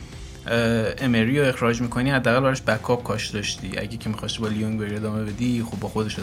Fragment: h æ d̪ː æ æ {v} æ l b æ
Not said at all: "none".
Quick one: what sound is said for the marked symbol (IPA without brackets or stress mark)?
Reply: ɣ